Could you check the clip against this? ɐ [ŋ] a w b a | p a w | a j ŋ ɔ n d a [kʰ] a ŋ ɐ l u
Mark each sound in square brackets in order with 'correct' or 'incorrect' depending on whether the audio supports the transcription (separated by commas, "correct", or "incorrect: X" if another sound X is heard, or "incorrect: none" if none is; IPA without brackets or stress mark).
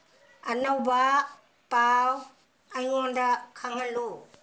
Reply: incorrect: n, correct